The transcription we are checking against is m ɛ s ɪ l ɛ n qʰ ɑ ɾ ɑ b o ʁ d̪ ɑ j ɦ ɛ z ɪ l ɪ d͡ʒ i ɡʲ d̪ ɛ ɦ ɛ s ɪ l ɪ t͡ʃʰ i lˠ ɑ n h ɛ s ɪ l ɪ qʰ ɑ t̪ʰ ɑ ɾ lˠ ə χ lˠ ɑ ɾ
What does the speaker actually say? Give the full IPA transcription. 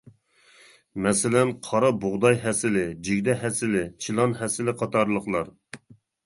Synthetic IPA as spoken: m ɛ s ɪ l ɛ n qʰ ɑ ɾ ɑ b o ʁ d̪ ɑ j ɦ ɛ s ɪ l ɪ d͡ʒ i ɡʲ d̪ ɛ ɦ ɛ s ɪ l ɪ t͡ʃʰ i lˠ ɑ n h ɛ s ɪ l ɪ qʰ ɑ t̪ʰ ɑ ɾ lˠ ə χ lˠ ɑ ɾ